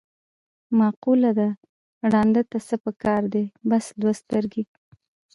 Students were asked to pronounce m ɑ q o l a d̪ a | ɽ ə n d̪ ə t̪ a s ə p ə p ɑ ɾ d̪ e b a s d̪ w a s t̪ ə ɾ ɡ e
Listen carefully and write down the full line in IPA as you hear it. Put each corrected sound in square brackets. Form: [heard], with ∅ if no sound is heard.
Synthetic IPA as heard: m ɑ q [u] l a d̪ a | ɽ [ɑ] n d̪ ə t̪ a s ə p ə [k] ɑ ɾ d̪ e b a s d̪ w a s t̪ ə ɾ ɡ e